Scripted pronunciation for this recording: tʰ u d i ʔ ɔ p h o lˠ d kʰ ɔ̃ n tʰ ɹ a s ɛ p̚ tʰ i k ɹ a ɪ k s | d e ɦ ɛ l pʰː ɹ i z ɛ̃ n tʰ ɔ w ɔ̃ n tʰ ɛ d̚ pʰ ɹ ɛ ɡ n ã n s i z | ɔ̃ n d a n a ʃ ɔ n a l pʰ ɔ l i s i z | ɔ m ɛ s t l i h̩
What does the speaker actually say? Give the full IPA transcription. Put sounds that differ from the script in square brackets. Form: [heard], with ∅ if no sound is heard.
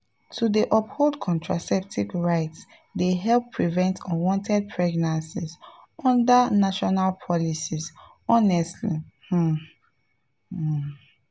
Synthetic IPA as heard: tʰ u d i ʔ ɔ p h o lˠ d kʰ ɔ̃ n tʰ ɹ a s ɛ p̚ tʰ i k ɹ a ɪ [t] s | d e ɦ ɛ l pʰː ɹ i [v] ɛ̃ n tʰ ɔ w ɔ̃ n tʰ ɛ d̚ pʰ ɹ ɛ ɡ n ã n s i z | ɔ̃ n d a n a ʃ ɔ n a l pʰ ɔ l i s i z | ɔ [n] ɛ s t l i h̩